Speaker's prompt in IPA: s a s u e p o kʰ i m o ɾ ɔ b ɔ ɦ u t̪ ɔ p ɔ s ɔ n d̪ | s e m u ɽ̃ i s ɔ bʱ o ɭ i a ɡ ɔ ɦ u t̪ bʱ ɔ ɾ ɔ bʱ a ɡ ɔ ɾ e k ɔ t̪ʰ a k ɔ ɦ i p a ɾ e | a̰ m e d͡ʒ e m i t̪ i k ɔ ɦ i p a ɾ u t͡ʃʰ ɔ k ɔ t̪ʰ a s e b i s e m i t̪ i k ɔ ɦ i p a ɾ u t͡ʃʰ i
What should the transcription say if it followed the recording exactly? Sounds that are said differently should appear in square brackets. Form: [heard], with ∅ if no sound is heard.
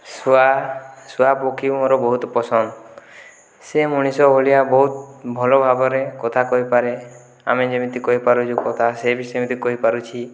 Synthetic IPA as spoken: s a s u [a] p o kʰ i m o ɾ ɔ b ɔ ɦ u t̪ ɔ p ɔ s ɔ n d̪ | s e m u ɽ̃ i s ɔ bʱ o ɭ i a [b] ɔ ɦ u t̪ bʱ ɔ [l] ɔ bʱ a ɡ ɔ ɾ e k ɔ t̪ʰ a k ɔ ɦ i p a ɾ e | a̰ m e d͡ʒ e m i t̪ i k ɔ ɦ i p a ɾ u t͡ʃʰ [u] k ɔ t̪ʰ a s e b i s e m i t̪ i k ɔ ɦ i p a ɾ u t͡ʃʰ i